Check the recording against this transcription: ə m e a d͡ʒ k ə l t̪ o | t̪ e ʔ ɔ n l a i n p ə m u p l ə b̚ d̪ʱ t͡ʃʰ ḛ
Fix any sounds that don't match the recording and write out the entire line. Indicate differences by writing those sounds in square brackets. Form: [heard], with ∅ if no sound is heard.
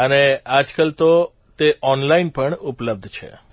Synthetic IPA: ə [n] e a d͡ʒ k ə l t̪ o | t̪ e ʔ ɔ n l a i n p ə [ɳ] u p l ə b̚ d̪ʱ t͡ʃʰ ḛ